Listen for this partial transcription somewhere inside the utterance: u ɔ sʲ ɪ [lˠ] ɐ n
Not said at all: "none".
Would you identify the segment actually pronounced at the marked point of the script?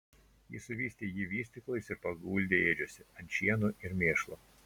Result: none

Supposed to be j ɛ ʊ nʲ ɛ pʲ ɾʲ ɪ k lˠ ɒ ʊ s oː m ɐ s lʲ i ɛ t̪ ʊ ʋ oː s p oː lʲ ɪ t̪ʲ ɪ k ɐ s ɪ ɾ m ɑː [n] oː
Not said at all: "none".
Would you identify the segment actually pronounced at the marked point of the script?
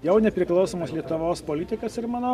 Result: n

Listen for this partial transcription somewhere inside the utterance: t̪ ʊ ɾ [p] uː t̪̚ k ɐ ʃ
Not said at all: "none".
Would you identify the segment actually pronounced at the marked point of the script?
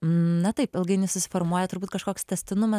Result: b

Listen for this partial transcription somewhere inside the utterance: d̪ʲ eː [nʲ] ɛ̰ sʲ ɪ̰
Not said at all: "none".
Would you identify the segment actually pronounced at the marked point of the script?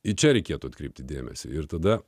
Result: mʲ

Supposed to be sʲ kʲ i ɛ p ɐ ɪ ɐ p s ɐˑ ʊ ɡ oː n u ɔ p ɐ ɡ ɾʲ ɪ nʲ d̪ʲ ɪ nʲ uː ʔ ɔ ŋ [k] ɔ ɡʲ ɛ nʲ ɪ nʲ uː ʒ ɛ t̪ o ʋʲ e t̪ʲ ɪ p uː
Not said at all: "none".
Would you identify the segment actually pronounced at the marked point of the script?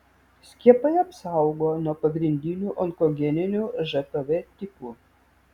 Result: k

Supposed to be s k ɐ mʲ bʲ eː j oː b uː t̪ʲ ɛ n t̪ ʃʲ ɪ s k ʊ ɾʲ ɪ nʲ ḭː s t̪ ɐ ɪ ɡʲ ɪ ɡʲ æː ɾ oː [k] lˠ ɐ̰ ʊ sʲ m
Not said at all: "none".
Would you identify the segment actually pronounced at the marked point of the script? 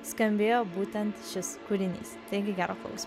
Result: k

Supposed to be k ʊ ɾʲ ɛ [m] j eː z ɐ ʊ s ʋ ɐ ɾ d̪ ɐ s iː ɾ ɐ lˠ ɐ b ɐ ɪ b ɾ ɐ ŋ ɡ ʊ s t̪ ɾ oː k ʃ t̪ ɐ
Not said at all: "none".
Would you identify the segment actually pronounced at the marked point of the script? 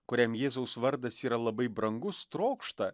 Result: m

